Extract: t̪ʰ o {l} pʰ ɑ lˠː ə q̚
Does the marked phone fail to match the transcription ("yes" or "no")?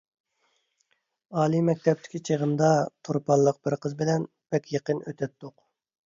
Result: yes